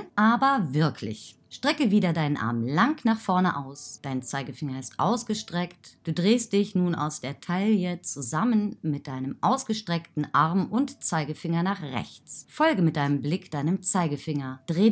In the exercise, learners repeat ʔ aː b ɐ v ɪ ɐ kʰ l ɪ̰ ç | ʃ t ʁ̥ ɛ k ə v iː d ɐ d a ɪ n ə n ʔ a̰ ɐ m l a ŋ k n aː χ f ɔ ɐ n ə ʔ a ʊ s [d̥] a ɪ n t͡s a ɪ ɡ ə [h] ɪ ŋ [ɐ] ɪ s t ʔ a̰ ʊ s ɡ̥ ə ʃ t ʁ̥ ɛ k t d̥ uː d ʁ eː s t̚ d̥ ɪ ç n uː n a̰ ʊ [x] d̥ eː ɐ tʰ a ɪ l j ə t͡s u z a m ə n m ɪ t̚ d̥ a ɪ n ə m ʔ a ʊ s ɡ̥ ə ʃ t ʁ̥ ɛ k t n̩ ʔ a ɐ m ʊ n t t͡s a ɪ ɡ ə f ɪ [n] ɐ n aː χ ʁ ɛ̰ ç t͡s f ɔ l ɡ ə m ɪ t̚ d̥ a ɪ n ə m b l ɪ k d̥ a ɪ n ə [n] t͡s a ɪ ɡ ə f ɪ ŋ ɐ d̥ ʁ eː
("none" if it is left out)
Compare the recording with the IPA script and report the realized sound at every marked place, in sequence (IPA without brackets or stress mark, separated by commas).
d̥, f, ɐ, s, ŋ, m